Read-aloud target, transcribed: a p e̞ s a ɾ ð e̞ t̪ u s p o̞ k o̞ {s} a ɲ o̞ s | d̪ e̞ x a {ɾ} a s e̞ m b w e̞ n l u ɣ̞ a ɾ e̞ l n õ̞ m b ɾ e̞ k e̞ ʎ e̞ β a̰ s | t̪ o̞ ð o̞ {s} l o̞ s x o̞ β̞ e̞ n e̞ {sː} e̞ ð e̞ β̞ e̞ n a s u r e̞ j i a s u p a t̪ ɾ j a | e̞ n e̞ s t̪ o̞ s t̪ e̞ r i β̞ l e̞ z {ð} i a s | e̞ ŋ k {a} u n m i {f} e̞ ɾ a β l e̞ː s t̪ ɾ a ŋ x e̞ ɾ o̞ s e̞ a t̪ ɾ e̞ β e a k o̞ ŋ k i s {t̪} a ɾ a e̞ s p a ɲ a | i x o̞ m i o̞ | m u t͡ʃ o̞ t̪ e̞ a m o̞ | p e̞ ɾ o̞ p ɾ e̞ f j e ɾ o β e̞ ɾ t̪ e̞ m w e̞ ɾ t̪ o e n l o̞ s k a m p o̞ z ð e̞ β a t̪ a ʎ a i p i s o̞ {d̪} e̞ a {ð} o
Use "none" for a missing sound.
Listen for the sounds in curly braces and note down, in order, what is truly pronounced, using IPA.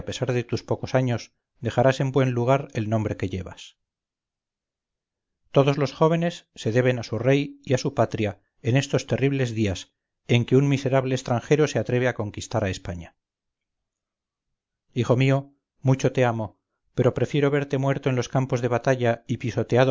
s, ɾ, z, sː, ð, e, s, t̪, t̪, ð

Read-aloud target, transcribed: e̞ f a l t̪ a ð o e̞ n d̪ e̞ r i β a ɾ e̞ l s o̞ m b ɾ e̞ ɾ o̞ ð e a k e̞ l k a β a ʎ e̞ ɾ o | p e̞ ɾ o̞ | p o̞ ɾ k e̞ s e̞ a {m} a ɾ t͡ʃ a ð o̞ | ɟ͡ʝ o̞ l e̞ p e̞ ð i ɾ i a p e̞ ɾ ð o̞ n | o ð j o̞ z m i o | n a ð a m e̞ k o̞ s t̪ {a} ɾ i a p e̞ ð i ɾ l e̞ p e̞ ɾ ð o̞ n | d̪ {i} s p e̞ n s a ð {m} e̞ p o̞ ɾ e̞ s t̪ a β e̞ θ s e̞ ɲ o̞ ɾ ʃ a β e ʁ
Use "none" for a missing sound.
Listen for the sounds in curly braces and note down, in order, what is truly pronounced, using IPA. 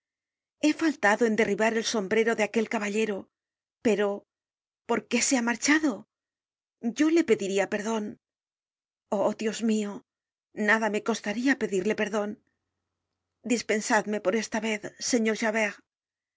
m, a, i, m

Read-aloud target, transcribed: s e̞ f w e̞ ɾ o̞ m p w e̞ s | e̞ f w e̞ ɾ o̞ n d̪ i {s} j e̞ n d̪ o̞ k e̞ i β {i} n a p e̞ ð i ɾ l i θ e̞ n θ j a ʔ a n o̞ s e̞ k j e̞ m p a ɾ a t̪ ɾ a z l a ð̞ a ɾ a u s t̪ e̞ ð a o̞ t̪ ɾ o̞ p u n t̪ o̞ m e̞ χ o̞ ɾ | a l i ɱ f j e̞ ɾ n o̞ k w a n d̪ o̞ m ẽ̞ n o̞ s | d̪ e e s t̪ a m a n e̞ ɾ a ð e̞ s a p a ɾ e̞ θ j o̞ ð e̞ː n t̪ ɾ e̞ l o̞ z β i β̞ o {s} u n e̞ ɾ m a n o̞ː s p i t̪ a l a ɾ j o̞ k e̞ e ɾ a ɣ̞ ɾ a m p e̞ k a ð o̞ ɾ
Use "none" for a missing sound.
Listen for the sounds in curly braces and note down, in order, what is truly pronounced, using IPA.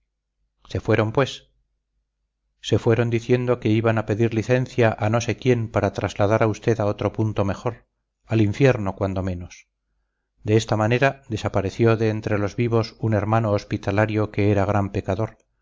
θ, a, s

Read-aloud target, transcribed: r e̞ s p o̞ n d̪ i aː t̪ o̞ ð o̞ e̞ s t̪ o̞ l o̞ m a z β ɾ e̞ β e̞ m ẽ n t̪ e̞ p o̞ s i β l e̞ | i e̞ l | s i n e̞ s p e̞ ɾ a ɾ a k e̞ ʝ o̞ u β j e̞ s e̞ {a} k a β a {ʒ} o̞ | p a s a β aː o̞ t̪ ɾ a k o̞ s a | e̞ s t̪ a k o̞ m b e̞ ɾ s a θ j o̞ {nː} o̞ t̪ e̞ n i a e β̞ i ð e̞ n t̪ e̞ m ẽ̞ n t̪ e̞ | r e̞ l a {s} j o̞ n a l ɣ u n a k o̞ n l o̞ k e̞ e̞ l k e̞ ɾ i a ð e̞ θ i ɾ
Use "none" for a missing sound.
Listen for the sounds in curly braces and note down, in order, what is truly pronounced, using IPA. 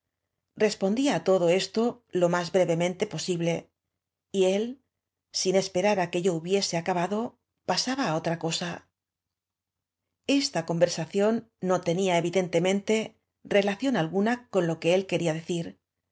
a, ð, nː, θ

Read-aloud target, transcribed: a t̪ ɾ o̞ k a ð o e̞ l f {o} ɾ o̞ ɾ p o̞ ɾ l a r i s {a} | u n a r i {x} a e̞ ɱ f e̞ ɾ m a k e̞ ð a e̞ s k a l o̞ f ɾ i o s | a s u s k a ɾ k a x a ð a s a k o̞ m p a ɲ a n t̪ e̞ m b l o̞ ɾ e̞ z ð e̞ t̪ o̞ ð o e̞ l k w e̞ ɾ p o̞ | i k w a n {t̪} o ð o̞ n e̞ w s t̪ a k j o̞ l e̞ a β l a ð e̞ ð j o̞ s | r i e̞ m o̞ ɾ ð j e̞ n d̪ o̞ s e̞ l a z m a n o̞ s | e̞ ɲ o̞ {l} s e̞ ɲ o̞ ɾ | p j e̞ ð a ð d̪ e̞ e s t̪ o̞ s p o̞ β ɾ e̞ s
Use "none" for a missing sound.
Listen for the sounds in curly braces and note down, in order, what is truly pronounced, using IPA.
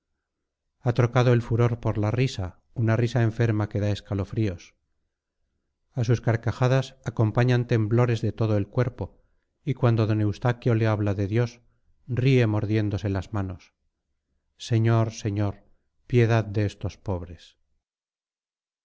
u, a, s, d̪, ɾ

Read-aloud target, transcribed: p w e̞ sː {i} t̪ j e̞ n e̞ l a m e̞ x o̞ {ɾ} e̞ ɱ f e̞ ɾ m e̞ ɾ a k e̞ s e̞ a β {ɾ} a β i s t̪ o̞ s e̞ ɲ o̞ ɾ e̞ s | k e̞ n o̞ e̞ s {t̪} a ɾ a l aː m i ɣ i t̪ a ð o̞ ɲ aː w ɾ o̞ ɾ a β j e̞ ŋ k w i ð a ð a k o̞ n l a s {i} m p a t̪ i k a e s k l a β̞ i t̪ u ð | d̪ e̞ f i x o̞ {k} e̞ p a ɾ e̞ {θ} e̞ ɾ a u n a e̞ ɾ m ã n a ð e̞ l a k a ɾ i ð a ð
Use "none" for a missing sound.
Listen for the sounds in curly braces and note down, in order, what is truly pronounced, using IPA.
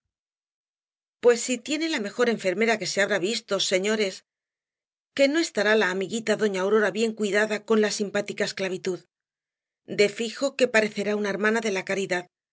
i, ɾ, ɾ, t̪, i, k, θ

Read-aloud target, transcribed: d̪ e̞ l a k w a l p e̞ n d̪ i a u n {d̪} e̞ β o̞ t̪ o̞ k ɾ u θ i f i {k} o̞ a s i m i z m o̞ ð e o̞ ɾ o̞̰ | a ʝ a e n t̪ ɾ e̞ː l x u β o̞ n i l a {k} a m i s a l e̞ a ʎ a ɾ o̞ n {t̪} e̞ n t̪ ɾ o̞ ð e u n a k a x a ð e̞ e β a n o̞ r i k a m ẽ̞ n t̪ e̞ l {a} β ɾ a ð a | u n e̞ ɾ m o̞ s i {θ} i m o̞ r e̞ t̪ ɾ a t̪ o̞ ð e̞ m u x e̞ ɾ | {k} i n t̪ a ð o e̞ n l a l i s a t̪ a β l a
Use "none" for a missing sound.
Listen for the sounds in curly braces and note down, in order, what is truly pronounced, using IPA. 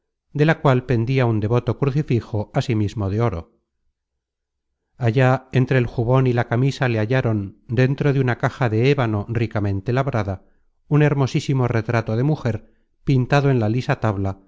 d̪, x, k, d̪, a, s, p

